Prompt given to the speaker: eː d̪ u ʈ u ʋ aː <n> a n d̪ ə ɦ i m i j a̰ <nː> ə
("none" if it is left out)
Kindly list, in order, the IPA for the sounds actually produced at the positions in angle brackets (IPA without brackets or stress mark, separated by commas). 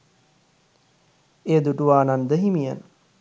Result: n, n